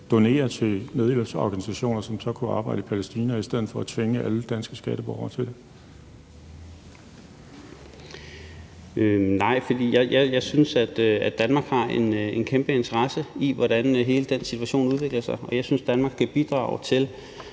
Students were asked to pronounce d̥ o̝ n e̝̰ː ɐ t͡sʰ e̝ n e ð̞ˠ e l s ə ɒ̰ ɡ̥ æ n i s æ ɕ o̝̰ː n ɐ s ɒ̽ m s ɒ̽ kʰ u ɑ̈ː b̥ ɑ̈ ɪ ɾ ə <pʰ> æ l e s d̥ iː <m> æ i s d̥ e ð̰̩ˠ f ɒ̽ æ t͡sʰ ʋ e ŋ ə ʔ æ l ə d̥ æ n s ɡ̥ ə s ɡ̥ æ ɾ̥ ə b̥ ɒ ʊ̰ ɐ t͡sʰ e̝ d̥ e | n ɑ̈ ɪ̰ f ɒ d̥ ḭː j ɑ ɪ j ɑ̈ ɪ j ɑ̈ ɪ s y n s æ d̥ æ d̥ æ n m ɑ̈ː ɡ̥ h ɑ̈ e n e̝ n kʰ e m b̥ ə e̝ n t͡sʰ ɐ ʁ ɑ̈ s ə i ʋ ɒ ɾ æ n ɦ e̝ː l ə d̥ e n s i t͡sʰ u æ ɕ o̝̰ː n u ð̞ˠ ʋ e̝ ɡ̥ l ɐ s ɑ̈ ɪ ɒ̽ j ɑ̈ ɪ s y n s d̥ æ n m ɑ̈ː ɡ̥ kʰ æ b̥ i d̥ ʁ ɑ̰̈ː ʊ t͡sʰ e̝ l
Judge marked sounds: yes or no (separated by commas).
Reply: yes, no